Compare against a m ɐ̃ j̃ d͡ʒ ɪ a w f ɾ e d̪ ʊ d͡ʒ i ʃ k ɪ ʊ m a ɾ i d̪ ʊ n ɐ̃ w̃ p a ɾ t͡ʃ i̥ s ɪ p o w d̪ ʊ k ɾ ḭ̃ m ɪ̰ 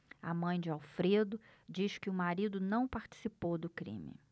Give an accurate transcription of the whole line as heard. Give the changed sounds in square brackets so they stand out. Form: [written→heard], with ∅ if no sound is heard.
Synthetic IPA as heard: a m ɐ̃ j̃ d͡ʒ ɪ a w f ɾ e d̪ ʊ d͡ʒ i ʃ k ɪ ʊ m a ɾ i d̪ ʊ n ɐ̃ w̃ p a ɾ t͡ʃ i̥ s [ɪ→i] p o w d̪ ʊ k ɾ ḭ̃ m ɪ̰